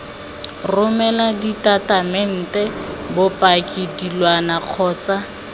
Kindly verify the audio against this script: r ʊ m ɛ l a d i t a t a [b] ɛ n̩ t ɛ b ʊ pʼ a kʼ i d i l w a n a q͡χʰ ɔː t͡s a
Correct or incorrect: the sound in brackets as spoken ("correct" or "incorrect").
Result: incorrect